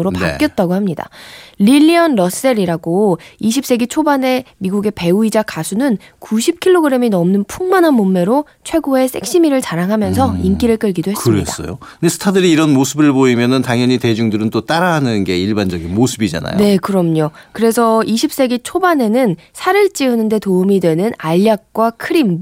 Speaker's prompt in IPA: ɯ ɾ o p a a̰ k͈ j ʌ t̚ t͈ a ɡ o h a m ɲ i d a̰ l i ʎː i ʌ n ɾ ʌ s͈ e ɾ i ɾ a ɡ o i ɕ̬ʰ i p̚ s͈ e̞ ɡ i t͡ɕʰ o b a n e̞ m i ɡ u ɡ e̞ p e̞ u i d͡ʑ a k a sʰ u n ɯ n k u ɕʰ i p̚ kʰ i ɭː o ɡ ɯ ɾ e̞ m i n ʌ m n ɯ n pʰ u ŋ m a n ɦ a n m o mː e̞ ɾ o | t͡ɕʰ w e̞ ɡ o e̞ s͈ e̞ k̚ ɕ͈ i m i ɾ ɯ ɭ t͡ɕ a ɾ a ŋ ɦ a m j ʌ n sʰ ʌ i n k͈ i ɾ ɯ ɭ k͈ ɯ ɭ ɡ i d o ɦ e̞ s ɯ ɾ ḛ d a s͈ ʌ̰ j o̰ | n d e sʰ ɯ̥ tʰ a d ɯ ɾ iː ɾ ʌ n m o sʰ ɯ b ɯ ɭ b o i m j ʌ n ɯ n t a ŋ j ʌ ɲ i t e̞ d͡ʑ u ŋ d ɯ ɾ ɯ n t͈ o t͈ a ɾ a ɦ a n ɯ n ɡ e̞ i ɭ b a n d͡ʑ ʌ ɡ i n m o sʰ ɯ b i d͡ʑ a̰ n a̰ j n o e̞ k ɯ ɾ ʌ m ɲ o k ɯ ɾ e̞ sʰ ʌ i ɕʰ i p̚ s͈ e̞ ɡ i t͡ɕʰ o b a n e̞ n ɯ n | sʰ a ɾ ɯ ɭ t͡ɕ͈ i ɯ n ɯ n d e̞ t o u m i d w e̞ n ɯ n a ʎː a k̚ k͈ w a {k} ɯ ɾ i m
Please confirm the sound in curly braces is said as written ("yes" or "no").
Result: no